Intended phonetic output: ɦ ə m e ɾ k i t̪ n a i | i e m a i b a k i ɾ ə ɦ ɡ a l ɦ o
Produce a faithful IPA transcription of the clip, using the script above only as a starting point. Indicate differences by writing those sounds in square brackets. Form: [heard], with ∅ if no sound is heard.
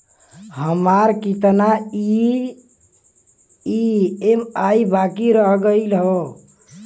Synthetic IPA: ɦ ə m [a] ɾ k i t̪ n a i | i e m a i b a k i ɾ ə ɦ ɡ [ə] l ɦ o